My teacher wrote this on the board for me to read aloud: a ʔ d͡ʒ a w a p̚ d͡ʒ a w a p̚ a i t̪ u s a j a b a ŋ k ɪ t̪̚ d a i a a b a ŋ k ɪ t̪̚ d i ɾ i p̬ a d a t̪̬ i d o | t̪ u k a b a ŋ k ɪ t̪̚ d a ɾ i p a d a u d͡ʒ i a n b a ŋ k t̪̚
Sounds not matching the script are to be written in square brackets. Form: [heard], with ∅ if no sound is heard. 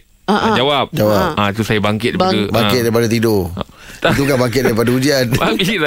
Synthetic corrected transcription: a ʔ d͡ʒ a w a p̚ d͡ʒ a w a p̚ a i t̪ u s a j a b a ŋ k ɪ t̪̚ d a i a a b a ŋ k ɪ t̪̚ d [a] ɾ i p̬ a d a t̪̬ i d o | t̪ u k a b a ŋ k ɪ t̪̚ d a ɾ i p a d a u d͡ʒ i a n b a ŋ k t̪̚